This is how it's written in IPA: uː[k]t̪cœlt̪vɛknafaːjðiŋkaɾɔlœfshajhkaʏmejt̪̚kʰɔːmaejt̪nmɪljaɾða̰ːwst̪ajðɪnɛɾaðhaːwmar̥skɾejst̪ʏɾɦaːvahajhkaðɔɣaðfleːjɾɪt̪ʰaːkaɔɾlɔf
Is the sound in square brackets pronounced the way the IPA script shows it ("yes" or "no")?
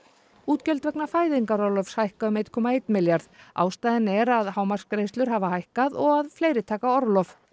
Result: no